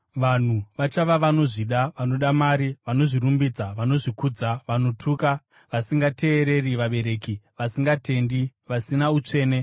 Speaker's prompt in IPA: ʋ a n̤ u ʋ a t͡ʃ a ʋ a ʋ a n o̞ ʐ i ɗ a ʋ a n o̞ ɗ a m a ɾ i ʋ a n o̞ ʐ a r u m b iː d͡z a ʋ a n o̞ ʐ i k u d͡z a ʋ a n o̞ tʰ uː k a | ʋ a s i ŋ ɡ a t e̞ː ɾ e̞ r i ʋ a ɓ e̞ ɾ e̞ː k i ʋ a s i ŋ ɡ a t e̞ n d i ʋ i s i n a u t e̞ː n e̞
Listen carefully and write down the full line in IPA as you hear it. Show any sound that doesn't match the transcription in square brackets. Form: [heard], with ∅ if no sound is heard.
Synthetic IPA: ʋ a n̤ u ʋ a t͡ʃ a ʋ a ʋ a n o̞ ʐ i ɗ a ʋ a n o̞ ɗ a m a ɾ i ʋ a n o̞ ʐ [i] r u m b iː d͡z a ʋ a n o̞ ʐ i k u d͡z a ʋ a n o̞ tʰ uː k a | ʋ a s i ŋ ɡ a t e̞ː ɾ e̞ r i ʋ a ɓ e̞ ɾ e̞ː k i ʋ a s i ŋ ɡ a t e̞ n d i ʋ [a] s i n a u [t͡ʂ] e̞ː n e̞